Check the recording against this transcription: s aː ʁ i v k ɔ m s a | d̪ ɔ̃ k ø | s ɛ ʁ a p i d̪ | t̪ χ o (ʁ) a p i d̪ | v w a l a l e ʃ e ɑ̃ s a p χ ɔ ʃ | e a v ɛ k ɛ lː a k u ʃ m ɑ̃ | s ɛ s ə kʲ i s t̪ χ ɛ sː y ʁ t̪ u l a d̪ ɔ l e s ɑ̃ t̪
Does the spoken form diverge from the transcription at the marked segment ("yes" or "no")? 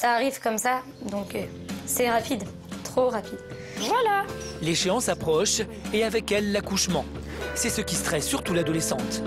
no